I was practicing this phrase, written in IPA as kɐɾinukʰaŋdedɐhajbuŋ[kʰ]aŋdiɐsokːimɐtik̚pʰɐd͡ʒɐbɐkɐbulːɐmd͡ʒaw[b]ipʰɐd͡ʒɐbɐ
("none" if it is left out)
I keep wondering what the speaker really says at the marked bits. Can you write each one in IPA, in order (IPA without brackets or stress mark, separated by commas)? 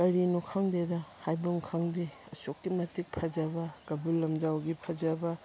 kʰ, ɡ